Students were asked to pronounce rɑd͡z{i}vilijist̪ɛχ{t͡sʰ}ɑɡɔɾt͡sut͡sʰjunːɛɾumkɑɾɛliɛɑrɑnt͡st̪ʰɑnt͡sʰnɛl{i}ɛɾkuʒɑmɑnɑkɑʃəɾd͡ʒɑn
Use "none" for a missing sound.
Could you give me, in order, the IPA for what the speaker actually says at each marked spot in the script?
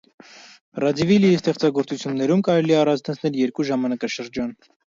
i, t͡s, j

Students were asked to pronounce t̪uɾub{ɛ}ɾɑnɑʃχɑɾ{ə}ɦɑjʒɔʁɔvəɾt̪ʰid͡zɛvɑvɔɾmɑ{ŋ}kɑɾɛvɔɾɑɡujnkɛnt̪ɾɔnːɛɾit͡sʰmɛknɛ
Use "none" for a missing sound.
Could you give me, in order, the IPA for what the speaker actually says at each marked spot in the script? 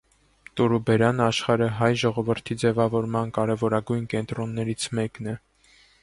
ɛ, ə, n

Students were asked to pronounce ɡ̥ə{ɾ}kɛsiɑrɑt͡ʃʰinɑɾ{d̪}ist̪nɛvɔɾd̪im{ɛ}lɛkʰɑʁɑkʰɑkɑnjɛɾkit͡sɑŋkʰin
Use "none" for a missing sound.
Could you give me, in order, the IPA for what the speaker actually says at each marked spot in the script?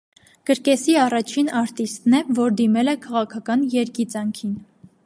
ɾ, t̪, ɛ

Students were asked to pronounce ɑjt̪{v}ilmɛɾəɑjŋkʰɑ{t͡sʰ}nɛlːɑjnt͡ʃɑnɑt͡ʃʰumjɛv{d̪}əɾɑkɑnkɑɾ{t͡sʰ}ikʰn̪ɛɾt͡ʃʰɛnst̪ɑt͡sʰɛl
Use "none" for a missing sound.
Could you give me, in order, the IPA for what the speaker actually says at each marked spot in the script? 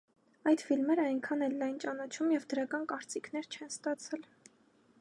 f, none, d̪, t͡s

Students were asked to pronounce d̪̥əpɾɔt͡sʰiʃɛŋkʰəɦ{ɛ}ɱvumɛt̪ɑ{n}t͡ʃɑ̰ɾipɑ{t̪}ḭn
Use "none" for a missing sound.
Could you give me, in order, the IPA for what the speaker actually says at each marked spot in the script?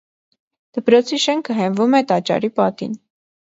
ɛ, none, t̪

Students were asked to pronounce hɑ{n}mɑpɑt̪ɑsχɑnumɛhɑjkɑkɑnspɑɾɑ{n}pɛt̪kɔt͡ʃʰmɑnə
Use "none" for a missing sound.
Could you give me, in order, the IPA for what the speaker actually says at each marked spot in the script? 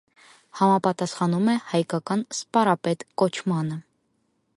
none, none

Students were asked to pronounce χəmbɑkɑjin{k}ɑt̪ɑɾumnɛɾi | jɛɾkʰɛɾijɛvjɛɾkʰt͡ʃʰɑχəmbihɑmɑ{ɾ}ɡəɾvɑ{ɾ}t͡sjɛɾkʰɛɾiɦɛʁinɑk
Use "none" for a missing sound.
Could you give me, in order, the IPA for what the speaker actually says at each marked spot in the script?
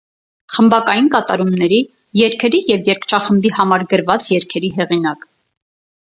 k, ɾ, none

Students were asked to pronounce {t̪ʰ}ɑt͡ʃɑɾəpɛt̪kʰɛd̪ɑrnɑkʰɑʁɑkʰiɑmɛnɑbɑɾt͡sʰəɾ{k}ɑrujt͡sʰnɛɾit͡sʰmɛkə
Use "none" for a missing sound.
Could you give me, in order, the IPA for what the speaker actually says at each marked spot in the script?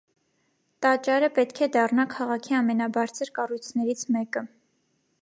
t̪, k

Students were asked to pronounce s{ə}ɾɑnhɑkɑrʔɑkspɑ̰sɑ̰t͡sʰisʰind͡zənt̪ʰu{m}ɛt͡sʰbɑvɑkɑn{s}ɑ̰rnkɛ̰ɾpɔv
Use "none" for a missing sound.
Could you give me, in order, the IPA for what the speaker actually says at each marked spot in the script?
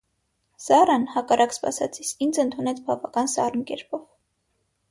ɑ, n, s

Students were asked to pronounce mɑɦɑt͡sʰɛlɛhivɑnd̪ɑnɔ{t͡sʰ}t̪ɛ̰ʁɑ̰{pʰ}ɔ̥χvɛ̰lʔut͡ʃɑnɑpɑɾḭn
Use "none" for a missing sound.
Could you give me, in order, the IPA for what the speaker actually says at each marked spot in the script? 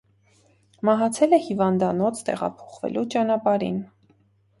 t͡sʰ, pʰ

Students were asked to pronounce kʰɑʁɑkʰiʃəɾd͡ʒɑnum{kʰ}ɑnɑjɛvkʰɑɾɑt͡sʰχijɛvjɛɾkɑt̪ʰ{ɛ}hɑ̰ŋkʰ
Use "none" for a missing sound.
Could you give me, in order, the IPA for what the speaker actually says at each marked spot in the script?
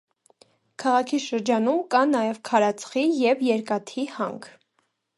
k, i

